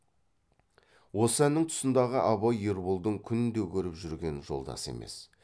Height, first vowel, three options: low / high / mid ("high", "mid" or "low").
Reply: mid